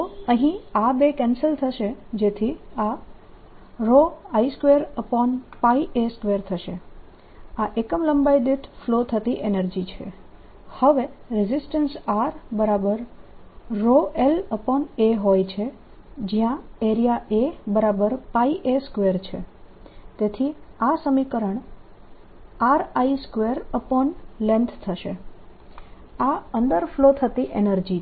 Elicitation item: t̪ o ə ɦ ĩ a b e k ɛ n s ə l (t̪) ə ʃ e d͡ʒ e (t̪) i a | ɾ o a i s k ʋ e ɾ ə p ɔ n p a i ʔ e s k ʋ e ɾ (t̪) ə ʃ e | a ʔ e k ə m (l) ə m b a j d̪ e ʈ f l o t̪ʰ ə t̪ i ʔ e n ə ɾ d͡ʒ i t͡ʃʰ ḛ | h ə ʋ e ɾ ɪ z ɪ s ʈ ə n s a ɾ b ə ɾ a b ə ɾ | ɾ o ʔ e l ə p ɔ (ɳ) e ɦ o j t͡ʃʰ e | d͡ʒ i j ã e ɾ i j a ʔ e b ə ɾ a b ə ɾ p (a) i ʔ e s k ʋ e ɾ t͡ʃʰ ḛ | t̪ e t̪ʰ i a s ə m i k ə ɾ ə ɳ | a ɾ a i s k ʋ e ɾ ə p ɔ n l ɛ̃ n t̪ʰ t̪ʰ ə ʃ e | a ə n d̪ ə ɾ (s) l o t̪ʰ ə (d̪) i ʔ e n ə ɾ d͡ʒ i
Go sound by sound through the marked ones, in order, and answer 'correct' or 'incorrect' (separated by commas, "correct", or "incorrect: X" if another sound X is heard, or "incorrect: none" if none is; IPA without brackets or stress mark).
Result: incorrect: t̪ʰ, incorrect: t̪ʰ, incorrect: t̪ʰ, correct, incorrect: n, correct, incorrect: f, incorrect: t̪